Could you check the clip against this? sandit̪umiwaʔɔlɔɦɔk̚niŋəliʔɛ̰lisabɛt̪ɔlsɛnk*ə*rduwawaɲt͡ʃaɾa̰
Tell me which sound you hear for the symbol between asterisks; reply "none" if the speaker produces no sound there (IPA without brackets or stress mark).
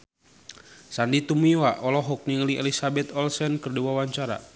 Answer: ə